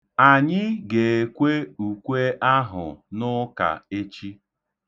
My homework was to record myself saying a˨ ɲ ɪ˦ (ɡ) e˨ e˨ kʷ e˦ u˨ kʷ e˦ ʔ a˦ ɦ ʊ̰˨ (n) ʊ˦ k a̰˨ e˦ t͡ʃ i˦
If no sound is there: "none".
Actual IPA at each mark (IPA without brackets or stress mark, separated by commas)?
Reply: ɡ, n